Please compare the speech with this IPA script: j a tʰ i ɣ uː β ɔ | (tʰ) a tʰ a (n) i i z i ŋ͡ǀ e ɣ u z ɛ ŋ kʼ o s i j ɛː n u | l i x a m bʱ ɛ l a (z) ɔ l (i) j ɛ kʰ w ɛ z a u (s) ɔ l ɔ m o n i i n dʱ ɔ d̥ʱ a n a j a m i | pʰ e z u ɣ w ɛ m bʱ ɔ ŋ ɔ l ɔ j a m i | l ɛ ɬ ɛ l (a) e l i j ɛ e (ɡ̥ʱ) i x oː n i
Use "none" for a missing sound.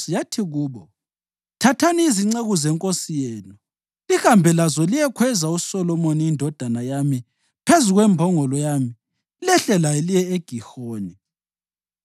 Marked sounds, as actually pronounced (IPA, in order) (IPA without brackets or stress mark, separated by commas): tʰ, n, z, i, s, a, ɡ̥ʱ